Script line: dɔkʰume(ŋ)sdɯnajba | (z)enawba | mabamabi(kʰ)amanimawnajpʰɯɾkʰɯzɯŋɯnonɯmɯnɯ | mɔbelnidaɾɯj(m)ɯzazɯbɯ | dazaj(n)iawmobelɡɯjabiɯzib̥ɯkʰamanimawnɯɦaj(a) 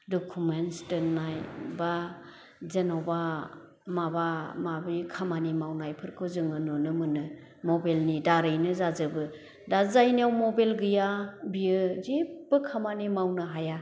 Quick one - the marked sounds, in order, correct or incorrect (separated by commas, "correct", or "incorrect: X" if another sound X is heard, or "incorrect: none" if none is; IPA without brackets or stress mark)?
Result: incorrect: n, correct, correct, incorrect: n, correct, correct